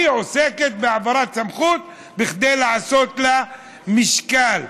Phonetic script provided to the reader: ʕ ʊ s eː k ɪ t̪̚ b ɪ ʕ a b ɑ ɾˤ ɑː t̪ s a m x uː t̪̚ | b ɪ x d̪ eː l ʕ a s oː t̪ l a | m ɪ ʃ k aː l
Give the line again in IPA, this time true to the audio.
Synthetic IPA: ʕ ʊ s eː k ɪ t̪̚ b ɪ ʕ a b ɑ ɾˤ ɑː t̪ s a m x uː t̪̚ | b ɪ x d̪ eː l ʕ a s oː t̪ l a | m ɪ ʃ k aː l

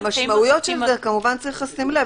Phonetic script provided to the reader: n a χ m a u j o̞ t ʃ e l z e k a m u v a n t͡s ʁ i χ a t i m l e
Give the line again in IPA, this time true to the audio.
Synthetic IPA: m a ʃ m a u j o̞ t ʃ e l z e k a m u v a n t͡s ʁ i χ a s i m l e

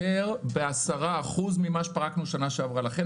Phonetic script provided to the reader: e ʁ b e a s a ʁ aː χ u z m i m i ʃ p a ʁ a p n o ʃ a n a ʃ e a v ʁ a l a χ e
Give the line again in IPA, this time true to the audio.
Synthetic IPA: e ʁ b e a s a ʁ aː χ u z m i m a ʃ p a ʁ a k n u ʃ a n a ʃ e a v ʁ a l a χ e

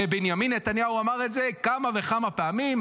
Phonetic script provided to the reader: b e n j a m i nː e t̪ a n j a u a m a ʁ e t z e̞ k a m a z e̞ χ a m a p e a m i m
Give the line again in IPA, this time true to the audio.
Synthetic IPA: b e n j a m i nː e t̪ a n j a u a m a ʁ e t z e̞ k a m a v e̞ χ a m a p e a m i m

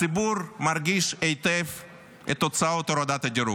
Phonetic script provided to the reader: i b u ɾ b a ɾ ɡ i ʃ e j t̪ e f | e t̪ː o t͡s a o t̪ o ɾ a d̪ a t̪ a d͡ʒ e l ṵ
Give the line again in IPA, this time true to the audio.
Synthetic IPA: i b u ɾ m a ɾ ɡ i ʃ e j t̪ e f | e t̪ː o t͡s a o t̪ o ɾ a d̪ a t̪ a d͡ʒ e ɾ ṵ

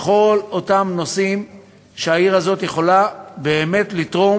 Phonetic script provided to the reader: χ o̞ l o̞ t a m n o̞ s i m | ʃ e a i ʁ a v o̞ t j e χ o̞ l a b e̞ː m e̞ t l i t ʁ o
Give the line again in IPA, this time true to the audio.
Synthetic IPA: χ o̞ l o̞ t a m n o̞ s i m | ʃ e a i ʁ a z o̞ t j e χ o̞ l a b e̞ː m e̞ t l i t ʁ o

